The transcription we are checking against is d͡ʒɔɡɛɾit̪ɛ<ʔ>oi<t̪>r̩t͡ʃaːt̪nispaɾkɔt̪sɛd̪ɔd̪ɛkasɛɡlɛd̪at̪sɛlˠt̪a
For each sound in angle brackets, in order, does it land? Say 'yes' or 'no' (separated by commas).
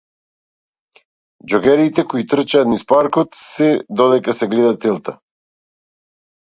no, yes